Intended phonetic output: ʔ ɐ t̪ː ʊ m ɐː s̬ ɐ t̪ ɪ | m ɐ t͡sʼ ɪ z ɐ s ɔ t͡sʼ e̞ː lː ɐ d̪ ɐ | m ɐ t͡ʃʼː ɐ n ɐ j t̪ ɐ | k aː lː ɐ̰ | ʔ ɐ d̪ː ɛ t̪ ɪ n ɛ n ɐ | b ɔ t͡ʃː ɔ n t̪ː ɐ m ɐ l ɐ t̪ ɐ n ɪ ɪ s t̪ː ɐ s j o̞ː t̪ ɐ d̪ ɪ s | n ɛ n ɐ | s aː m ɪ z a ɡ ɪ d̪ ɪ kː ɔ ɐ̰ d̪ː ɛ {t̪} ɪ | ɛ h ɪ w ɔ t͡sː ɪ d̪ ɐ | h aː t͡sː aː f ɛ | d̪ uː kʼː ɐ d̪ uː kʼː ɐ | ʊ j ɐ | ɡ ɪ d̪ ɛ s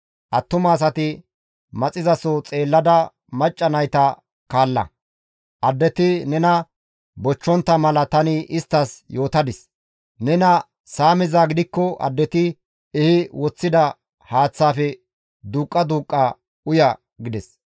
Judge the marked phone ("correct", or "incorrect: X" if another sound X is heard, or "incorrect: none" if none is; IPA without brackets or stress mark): correct